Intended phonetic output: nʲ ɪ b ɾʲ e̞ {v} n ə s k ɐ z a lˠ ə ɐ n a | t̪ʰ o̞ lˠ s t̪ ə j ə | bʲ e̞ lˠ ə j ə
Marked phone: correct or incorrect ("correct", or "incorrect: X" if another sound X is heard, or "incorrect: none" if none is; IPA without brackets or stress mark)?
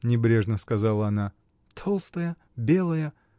incorrect: ʐ